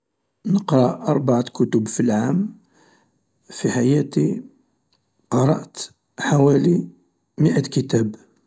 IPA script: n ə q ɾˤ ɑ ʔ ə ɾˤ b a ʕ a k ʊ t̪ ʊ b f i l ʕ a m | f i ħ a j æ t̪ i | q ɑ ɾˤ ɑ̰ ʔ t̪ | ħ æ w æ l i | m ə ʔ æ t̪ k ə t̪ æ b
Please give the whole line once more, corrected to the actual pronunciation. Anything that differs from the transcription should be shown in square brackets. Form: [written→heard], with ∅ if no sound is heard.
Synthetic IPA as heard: n ə q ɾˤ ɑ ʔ [ə→ɑ] ɾˤ b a ʕ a k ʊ t̪ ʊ b f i l ʕ a m | f i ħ a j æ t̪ i | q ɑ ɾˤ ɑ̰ ʔ t̪ | ħ [æ→a] w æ l i | m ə ʔ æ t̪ k ə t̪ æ b